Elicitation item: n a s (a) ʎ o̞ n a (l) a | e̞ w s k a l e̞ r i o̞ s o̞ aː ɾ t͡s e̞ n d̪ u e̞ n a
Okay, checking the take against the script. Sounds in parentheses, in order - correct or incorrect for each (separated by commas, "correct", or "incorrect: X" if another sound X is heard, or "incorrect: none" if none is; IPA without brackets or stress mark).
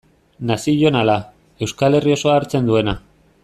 incorrect: i, correct